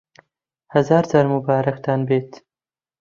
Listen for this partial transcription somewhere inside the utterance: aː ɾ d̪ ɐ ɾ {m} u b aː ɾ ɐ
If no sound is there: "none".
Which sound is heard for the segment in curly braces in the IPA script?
m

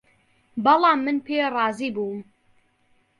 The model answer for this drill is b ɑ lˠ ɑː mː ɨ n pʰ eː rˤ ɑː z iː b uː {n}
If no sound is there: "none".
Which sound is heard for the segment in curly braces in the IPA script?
m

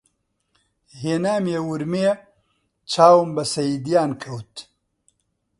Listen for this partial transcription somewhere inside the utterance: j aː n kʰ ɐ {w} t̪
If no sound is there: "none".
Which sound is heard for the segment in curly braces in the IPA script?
w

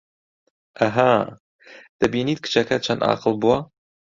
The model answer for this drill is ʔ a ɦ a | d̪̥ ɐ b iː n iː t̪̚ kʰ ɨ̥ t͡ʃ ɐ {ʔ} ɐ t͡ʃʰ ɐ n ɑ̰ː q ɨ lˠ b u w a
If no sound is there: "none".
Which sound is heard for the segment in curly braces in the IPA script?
k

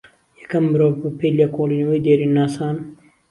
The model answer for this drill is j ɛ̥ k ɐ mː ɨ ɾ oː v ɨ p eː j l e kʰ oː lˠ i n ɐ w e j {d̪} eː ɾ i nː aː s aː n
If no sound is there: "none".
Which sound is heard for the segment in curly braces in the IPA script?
d̪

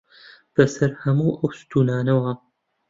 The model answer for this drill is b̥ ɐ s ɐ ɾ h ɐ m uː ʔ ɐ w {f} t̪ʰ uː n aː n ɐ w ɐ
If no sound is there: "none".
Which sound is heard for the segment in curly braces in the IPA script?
s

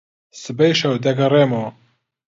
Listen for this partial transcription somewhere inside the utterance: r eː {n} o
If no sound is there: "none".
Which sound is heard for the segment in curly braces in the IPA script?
m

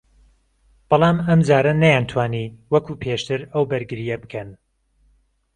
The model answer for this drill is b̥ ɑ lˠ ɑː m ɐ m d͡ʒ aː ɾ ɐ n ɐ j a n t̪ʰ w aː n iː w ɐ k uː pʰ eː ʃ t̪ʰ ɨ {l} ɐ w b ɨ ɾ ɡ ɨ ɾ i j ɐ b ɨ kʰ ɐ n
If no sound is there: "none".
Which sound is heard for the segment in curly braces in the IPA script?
ɾ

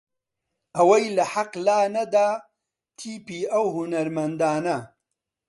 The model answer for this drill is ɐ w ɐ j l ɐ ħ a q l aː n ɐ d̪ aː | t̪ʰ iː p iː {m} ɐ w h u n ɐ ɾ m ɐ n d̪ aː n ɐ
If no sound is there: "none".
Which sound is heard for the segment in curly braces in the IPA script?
none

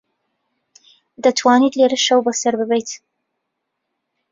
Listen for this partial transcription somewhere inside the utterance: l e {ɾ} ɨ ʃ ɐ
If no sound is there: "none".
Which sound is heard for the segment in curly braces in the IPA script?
ɾ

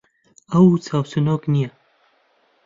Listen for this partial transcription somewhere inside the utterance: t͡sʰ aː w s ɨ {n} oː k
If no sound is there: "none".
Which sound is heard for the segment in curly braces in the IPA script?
n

